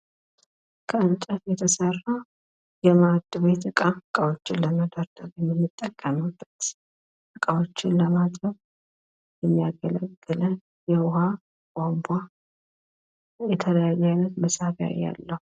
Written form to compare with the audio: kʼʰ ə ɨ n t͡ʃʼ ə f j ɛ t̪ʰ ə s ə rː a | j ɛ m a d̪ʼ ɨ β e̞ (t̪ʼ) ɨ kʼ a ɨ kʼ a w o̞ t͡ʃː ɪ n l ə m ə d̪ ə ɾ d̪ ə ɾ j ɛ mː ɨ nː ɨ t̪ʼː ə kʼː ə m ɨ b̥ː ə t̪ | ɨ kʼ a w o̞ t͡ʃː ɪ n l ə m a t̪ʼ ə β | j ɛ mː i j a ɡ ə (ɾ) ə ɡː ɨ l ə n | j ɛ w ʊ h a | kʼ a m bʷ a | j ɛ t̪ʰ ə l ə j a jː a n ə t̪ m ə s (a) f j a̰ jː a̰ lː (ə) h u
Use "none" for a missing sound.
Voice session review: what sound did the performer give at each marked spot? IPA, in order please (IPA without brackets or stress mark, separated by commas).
t̪, l, a, ə